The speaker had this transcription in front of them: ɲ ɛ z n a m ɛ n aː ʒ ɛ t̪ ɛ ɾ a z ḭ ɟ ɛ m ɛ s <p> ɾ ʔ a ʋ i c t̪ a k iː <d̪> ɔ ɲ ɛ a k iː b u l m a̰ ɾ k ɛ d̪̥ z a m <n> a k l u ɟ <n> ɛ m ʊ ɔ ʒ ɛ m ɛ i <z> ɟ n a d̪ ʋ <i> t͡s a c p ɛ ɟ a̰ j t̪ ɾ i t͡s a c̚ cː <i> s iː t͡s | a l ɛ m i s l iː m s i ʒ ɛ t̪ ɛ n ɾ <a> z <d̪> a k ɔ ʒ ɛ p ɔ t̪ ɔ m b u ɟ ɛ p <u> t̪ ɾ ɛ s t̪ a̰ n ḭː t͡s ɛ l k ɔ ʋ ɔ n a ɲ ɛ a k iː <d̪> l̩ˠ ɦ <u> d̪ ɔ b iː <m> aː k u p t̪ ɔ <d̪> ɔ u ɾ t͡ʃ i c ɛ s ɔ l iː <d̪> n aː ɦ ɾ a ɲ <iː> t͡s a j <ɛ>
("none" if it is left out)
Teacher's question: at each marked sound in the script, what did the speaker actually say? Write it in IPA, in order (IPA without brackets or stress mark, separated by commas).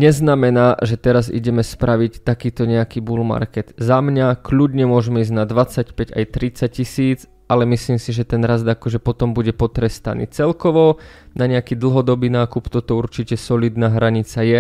p, t̪, ɲ, ɲ, z, a, i, a, d̪, ɔ, d̪, ɔ, n, t̪, d̪, i, ɛ